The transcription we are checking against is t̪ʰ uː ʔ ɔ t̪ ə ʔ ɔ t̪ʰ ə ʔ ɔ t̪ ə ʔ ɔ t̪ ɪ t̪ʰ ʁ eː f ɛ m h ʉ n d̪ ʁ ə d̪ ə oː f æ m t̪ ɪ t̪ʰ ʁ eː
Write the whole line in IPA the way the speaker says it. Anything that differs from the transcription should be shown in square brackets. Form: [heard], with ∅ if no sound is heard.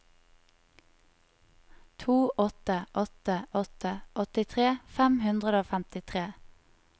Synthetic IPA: t̪ʰ uː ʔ ɔ t̪ ə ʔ ɔ [t̪] ə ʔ ɔ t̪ ə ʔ ɔ t̪ ɪ t̪ʰ ʁ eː f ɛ m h ʉ n d̪ ʁ ə d̪ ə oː f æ m t̪ ɪ t̪ʰ ʁ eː